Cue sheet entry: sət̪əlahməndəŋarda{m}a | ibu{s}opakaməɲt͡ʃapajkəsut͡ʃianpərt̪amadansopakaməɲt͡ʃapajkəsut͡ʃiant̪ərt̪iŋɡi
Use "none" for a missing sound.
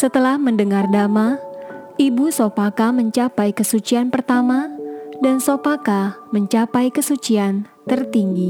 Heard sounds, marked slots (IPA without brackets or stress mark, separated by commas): m, s